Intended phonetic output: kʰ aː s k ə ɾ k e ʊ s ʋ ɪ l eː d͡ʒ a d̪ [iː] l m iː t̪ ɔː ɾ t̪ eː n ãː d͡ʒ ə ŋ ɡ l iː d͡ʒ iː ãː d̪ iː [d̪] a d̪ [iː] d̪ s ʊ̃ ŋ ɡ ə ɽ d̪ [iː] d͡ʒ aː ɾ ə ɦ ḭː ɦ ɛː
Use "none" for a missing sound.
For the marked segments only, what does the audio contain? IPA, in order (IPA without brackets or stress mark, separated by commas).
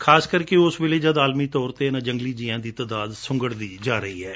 aː, t̪, aː, iː